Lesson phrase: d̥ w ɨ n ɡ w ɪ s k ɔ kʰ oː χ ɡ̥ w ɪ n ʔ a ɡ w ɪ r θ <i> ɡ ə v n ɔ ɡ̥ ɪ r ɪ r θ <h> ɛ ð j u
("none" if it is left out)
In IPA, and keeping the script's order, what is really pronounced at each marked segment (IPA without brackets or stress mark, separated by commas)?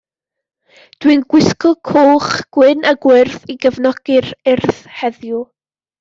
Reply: i, h